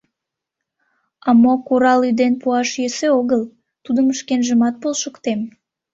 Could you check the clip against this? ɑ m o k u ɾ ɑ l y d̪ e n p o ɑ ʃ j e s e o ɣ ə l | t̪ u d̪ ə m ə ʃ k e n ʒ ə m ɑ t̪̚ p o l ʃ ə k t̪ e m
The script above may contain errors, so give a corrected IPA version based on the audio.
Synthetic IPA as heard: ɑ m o k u ɾ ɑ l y d̪ e n p u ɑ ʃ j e s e o ɣ ə l | t̪ u d̪ ə m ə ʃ k e n ʒ ə m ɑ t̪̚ p o l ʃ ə k t̪ e m